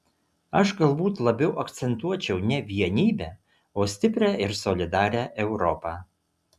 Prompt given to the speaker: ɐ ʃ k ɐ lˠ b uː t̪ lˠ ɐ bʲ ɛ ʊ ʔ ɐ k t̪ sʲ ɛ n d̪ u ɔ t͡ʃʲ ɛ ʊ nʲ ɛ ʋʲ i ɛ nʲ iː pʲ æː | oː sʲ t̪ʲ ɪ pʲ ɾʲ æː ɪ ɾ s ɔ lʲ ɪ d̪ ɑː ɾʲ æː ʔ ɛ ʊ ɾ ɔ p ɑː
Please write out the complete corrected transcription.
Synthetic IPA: ɐ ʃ ɡ ɐ lˠ b uː t̪ lˠ ɐ bʲ ɛ ʊ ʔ ɐ k t̪ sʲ ɛ n t̪ u ɔ t͡ʃʲ ɛ ʊ nʲ ɛ ʋʲ i ɛ nʲ iː bʲ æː | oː sʲ t̪ʲ ɪ pʲ ɾʲ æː ɪ ɾ s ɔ lʲ ɪ d̪ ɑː ɾʲ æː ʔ ɛ ʊ ɾ ɔ p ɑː